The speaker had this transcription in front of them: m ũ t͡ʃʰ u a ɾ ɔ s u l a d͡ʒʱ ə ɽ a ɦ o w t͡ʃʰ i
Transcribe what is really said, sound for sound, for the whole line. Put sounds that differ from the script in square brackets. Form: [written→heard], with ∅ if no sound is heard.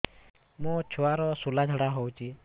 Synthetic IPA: m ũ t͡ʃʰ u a ɾ ɔ s u l a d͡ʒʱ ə ɽ a ɦ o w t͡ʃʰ i